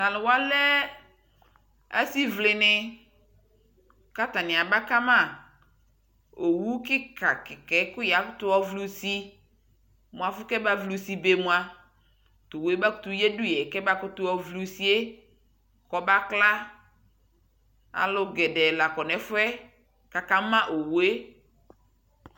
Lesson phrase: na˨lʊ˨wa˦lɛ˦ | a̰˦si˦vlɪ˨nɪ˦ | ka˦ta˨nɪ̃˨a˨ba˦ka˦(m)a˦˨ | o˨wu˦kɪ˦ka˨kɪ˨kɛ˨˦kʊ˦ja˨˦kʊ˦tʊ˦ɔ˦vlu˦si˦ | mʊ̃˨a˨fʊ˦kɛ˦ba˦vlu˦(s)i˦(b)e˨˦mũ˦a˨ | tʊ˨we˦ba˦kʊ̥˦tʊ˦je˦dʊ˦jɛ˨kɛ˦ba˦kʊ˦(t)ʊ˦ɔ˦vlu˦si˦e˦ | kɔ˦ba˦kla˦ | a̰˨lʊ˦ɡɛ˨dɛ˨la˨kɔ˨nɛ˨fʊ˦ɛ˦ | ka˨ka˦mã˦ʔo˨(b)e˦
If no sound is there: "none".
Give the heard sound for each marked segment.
m, s, b, t, w

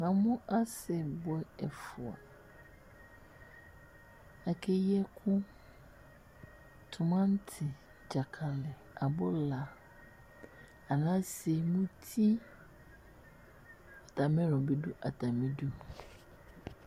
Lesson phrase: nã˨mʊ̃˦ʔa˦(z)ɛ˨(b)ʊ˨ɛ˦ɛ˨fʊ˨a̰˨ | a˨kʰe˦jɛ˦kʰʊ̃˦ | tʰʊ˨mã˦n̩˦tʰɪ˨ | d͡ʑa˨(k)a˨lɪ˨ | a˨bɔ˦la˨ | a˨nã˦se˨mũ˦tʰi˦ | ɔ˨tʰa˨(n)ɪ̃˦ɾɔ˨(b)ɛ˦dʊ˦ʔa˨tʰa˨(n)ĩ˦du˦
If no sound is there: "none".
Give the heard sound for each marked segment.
s, b, kʰ, m, b, m

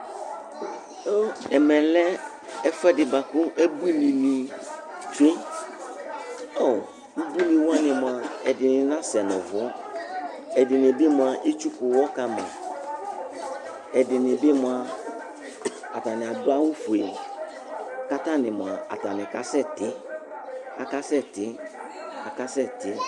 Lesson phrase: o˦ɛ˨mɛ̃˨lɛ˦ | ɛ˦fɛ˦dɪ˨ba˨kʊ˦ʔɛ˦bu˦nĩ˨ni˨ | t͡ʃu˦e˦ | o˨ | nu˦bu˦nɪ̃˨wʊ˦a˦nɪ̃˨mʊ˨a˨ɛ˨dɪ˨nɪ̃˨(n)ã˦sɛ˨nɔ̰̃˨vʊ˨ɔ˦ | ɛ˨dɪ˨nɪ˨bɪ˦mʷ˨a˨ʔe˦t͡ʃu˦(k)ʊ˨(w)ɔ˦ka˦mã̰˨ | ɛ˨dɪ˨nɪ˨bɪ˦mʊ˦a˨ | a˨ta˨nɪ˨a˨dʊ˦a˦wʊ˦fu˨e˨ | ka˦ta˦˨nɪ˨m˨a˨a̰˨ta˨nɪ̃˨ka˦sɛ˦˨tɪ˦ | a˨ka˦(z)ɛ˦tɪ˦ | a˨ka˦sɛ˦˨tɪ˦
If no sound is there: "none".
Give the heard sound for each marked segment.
n, k, w, s

